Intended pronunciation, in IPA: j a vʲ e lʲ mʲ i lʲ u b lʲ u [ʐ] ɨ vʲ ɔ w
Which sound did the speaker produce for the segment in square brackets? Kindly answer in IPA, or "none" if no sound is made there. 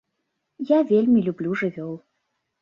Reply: ʐ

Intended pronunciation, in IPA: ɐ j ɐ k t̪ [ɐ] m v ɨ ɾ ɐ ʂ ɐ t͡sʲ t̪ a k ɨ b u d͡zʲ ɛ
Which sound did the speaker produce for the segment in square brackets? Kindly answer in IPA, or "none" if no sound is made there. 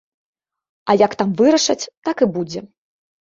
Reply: a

